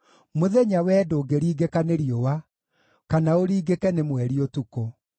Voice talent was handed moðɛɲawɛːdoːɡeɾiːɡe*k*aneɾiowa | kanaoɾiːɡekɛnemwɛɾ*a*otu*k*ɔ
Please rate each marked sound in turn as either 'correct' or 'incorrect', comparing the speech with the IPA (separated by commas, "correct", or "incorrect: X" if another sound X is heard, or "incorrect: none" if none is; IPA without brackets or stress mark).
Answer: correct, incorrect: i, correct